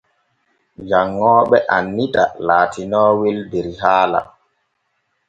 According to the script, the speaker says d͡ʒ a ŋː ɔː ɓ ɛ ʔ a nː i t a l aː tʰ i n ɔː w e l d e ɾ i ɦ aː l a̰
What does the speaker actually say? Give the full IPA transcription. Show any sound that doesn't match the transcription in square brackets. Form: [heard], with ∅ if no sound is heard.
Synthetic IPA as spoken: d͡ʒ a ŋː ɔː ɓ ɛ ʔ a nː i t a l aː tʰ i n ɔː w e l d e ɾ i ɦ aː l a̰